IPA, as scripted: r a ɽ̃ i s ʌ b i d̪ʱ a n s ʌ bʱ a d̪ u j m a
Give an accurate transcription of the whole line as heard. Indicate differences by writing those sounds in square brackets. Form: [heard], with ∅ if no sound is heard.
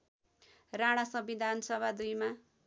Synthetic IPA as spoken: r a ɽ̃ [a] s ʌ b i d̪ʱ a n s ʌ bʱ a d̪ u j m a